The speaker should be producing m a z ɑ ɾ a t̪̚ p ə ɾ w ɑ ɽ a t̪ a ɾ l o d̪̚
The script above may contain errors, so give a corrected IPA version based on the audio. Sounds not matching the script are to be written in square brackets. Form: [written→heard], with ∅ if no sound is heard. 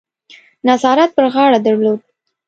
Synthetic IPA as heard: [m→n] a z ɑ ɾ a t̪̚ p ə ɾ [w→ɣ] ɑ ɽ a [t̪→d̪] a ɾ l o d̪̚